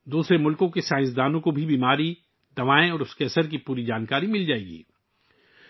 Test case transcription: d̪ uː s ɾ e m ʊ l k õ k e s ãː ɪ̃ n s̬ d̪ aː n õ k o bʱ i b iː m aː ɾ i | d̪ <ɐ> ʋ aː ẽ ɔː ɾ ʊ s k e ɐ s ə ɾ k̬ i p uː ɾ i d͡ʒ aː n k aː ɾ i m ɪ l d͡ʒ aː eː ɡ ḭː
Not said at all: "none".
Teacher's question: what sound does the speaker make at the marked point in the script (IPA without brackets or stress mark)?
ɐ